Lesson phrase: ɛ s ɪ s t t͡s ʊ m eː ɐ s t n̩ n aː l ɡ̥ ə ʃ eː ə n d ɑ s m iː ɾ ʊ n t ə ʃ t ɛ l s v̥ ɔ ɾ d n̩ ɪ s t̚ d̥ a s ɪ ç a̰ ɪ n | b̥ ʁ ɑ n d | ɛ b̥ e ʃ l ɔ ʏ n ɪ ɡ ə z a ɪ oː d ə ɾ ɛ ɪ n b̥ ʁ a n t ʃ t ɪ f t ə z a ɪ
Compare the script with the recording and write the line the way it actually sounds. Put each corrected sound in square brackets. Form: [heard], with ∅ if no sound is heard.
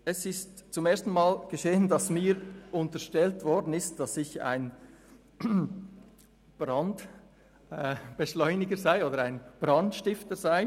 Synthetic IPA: ɛ s ɪ s t t͡s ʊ m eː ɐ s t n̩ [m] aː l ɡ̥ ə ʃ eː ə n d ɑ s m iː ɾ ʊ n t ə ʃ t ɛ l [t] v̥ ɔ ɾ d n̩ ɪ s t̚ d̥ [ɑ] s ɪ ç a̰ ɪ n | b̥ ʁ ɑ n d | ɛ b̥ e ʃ l ɔ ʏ n ɪ ɡ ə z a ɪ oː d ə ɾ [a] ɪ n b̥ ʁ [ɑ] n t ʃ t ɪ f t ə z a ɪ

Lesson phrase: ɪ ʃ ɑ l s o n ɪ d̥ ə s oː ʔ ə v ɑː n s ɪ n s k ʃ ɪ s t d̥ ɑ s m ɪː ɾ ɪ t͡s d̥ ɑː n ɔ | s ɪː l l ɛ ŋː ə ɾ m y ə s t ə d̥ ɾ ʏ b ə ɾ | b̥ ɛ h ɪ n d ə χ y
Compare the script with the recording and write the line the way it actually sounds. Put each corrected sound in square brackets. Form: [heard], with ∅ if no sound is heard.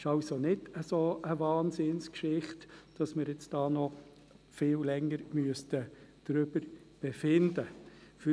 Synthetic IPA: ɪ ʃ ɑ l s o n ɪ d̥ ə s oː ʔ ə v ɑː n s ɪ n s k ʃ ɪ [χ] t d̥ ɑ s m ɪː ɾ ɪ t͡s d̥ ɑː n ɔ | [f] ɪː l l ɛ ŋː ə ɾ m y ə s t ə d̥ ɾ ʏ b ə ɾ | b̥ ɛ [f] ɪ n d ə [f] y

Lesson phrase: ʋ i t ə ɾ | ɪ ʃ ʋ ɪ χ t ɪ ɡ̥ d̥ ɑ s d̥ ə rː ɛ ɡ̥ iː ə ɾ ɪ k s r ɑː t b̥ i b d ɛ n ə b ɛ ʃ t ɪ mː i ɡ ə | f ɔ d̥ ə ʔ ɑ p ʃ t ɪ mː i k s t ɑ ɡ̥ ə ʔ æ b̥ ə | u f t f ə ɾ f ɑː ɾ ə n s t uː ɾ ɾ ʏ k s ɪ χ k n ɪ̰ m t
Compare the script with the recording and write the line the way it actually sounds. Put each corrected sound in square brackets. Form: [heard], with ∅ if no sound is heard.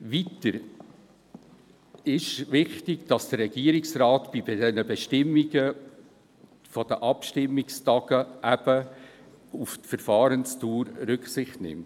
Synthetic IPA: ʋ i t ə ɾ | ɪ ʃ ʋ ɪ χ t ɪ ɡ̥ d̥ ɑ s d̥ ə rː ɛ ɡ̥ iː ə ɾ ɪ k s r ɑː t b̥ i b d ɛ n ə b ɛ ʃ t ɪ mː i ɡ ə | f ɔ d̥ ə ʔ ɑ p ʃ t ɪ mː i k s t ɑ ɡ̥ ə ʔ æ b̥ ə | u f t f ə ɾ f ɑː ɾ ə n s t uː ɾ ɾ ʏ k s ɪ χ [t] n ɪ̰ m t

